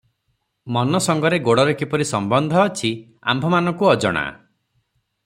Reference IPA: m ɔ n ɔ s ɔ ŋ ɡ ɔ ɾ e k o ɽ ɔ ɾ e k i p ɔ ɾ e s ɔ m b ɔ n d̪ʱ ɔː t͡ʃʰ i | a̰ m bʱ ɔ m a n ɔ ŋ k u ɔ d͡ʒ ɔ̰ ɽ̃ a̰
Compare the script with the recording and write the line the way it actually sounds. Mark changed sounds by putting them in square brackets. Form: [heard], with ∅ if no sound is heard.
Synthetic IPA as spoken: m ɔ n ɔ s ɔ ŋ ɡ ɔ ɾ e [ɡ] o ɽ ɔ ɾ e k i p ɔ ɾ [i] s ɔ m b ɔ n d̪ʱ ɔː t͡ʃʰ i | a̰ m bʱ ɔ m a n ɔ ŋ k u ɔ d͡ʒ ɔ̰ ɽ̃ a̰